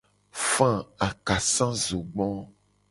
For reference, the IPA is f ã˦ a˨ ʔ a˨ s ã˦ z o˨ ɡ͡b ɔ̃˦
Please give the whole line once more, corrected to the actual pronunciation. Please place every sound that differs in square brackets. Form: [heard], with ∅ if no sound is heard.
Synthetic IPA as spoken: f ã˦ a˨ [k] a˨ s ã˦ z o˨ ɡ͡b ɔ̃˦